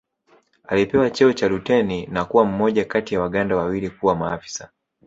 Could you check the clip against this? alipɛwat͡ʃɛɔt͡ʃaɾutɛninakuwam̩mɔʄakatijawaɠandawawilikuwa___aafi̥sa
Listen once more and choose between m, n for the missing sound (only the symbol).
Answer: m